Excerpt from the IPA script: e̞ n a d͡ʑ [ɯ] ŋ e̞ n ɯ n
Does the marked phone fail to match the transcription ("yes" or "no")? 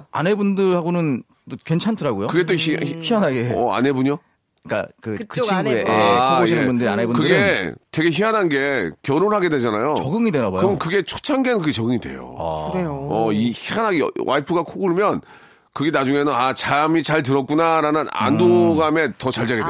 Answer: yes